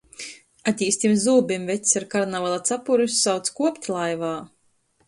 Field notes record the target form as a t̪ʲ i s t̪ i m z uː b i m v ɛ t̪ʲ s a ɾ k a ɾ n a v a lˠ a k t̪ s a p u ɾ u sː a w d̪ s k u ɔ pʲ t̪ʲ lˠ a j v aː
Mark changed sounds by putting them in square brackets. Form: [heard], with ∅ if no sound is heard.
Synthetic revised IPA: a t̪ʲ [iː] s t̪ i m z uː b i m v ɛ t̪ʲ s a ɾ k a ɾ n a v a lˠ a [∅] t̪ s a p u ɾ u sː a w [t̪] s k u ɔ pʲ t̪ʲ lˠ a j v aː